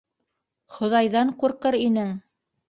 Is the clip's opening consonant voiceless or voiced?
voiceless